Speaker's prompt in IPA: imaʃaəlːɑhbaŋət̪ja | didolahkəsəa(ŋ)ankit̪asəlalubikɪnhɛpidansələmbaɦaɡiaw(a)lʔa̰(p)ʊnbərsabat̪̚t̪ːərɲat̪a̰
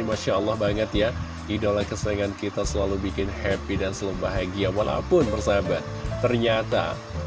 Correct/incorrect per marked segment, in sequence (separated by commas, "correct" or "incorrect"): correct, correct, correct